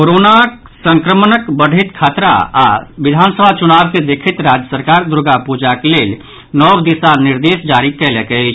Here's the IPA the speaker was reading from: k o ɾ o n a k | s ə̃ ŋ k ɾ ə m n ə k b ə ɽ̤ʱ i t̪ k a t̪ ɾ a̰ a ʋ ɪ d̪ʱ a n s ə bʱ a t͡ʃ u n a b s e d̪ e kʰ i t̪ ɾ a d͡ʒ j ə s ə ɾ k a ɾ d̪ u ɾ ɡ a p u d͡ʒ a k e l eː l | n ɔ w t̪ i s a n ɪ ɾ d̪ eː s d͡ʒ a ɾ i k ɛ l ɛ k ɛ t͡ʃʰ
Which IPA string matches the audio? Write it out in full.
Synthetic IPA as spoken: k o ɾ o n a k | s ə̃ ŋ k ɾ ə m n ə k b ə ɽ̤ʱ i t̪ kʰ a t̪ ɾ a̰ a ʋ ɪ d̪ʱ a n s ə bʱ a t͡ʃ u n a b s e d̪ e kʰ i t̪ ɾ a d͡ʒ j ə s ə ɾ k a ɾ d̪ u ɾ ɡ a p u d͡ʒ a k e l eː l | n ɔ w d̪ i s a n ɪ ɾ d̪ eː s d͡ʒ a ɾ i k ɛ l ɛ k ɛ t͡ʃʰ

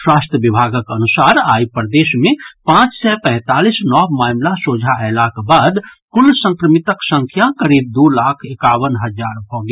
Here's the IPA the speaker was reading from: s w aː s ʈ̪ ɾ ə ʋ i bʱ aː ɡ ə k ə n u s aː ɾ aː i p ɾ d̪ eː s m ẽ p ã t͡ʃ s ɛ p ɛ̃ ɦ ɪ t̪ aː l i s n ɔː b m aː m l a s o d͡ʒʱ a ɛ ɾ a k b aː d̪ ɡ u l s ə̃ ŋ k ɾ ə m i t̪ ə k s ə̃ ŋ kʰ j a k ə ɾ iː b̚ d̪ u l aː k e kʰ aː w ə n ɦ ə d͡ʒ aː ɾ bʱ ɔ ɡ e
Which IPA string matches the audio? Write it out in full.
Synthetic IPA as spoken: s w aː s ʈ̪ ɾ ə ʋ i bʱ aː ɡ ə k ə n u s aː ɾ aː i p ɾ d̪ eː s m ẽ p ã t͡ʃ s ɛ p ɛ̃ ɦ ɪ t̪ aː l i s n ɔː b m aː m l a s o d͡ʒʱ a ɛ l a k b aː d̪ k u l s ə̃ ŋ k ɾ ə m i t̪ ə k s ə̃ ŋ kʰ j a k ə ɾ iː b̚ d̪ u l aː kʰ e k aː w ə n ɦ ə d͡ʒ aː ɾ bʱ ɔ ɡ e

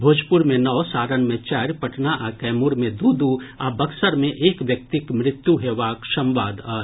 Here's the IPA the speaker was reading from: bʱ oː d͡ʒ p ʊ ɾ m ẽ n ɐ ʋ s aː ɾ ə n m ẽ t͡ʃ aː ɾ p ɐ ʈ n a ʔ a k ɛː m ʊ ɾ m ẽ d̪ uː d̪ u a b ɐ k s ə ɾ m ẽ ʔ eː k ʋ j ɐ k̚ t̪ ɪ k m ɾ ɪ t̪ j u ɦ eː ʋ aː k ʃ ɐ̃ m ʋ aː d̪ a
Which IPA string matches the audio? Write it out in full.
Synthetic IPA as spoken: bʱ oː d͡ʒ p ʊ ɾ m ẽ n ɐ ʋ s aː ɾ ə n m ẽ t͡ʃ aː ɾ p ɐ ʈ n a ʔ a k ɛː m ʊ ɾ m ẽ d̪ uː d̪ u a b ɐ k s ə ɾ m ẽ ʔ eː k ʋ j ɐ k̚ t̪ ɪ k m ɾ ɪ t̪ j u ɦ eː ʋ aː k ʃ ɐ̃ m ʋ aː d̪ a

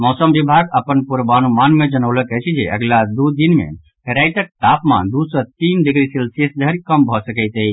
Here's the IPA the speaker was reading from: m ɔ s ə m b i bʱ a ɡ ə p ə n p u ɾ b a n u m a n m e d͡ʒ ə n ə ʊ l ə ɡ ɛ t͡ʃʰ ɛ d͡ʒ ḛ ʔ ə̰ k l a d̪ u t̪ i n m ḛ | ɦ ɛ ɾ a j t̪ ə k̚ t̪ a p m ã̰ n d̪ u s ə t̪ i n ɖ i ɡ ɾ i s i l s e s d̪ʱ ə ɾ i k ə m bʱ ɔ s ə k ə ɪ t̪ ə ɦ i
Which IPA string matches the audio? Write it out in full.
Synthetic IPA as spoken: m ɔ s ə m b i bʱ a ɡ ə p ə n p u ɾ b a n u m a n m e d͡ʒ ə n ə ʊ l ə k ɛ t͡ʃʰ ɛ d͡ʒ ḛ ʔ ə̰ ɡ l a d̪ u d̪ i n m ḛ | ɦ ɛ ɾ a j t̪ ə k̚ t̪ a p m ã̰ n d̪ u s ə t̪ i n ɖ i ɡ ɾ i s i l s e s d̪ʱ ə ɾ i k ə m bʱ ɔ s ə k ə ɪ t̪ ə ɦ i

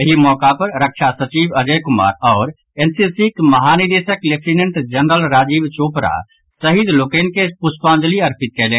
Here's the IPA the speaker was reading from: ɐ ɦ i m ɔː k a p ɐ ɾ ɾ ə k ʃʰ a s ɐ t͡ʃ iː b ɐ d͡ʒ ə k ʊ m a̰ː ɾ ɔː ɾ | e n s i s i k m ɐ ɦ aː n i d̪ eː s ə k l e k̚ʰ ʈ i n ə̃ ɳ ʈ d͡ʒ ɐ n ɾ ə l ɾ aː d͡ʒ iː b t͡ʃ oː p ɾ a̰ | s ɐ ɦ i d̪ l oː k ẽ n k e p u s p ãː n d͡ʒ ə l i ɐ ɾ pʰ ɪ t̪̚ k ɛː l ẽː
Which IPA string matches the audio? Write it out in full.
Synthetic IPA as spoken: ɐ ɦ i m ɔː k a p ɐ ɾ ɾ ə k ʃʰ a s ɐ t͡ʃ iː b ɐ d͡ʒ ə k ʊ m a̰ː ɾ ɔː ɾ | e n s i s i k m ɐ ɦ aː n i d̪ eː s ə k l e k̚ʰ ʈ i n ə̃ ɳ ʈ d͡ʒ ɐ n ɾ ə l ɾ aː d͡ʒ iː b t͡ʃ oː p ɾ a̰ | s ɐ ɦ i d̪ l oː k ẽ n k e p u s p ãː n d͡ʒ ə l i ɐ ɾ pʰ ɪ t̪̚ k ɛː l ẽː

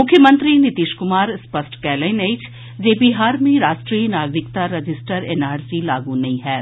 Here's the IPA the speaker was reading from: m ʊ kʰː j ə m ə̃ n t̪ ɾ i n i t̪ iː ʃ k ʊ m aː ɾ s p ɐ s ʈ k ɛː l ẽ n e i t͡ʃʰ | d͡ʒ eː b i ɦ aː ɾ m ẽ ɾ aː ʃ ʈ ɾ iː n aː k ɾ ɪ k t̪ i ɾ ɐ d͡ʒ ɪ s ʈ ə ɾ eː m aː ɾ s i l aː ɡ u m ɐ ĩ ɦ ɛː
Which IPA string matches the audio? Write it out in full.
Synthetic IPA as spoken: m ʊ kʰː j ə m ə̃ n t̪ ɾ i n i t̪ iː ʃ k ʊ m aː ɾ s p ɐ s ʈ k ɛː l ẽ n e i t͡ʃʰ | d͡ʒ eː b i ɦ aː ɾ m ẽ ɾ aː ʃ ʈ ɾ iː n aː ɡ ɾ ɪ k t̪ a ɾ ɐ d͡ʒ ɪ s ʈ ə ɾ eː n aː ɾ s i l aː ɡ u n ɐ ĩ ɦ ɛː

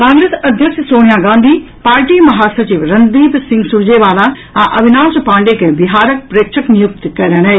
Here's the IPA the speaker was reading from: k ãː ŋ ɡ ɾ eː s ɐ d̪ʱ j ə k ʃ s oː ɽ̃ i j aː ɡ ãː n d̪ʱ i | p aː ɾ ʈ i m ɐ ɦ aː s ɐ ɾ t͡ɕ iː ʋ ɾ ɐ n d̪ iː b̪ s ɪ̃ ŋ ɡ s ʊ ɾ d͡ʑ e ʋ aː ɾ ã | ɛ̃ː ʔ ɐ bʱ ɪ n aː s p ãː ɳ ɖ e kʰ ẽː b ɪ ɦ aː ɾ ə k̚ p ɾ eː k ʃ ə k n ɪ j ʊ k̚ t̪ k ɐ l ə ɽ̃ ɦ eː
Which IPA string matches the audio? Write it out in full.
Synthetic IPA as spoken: k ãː ŋ ɡ ɾ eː s ɐ d̪ʱ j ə k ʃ s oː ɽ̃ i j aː ɡ ãː n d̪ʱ i | p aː ɾ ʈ i m ɐ ɦ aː s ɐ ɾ t͡ɕ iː ʋ ɾ ɐ n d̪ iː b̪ s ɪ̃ ŋ ɡ s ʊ ɾ d͡ʑ e ʋ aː l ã | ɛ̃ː ʔ ɐ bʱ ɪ n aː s p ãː ɳ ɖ e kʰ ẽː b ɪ ɦ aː ɾ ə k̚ p ɾ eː k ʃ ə k n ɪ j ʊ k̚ t̪ k ɐ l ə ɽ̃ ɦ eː

